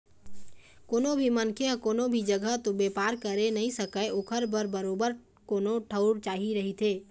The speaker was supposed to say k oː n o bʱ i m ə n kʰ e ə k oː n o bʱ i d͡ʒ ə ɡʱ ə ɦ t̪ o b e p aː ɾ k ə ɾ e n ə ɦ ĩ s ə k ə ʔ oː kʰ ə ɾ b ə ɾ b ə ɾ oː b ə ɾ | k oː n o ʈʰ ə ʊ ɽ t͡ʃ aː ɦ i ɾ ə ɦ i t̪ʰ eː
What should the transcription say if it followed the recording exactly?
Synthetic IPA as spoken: k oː n o bʱ i m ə n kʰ e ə k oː n o bʱ i d͡ʒ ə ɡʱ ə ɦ t̪ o b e p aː ɾ k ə ɾ e n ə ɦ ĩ s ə k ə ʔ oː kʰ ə ɾ b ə ɾ b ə ɾ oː b ə ɾ | k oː n o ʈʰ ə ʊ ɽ t͡ʃ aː ɦ i ɾ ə ɦ i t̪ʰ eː